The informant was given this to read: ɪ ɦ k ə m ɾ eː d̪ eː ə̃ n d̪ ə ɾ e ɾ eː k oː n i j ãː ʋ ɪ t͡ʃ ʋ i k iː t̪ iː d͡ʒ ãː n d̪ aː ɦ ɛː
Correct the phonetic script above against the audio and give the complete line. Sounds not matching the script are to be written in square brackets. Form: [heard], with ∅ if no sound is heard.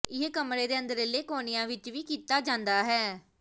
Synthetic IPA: ɪ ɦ k ə m ɾ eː d̪ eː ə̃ n d̪ ə ɾ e [l] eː k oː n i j ãː ʋ ɪ t͡ʃ ʋ [iː] k iː t̪ [aː] d͡ʒ ãː n d̪ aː ɦ ɛː